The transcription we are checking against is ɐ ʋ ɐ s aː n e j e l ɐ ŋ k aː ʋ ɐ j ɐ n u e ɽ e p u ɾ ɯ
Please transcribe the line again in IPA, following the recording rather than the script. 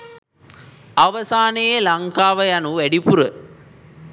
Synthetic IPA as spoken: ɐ ʋ ɐ s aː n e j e l ɐ ŋ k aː ʋ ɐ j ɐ n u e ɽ i p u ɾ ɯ